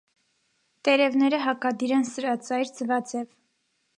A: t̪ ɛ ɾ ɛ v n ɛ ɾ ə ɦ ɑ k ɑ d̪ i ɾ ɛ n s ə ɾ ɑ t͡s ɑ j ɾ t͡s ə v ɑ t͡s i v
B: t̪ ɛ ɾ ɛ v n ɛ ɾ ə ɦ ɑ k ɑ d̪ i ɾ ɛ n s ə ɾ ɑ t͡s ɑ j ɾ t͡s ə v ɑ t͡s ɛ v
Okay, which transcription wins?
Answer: B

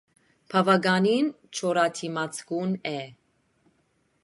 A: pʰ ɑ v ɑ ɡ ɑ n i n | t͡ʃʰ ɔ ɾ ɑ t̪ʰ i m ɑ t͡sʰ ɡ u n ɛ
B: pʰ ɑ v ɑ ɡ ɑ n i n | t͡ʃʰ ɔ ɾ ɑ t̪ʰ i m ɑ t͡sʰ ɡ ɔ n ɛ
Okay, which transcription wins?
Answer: A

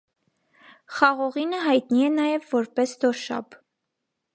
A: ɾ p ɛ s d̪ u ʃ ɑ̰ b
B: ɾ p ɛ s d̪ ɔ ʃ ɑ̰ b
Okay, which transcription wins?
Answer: B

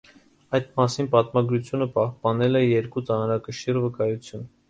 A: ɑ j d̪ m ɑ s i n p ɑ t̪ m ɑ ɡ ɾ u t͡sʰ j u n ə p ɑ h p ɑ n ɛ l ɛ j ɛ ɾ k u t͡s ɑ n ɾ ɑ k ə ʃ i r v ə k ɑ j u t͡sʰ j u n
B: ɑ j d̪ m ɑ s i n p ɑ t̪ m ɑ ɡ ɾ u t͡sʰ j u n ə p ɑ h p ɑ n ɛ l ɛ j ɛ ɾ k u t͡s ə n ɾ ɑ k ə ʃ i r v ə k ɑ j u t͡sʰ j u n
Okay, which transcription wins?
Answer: A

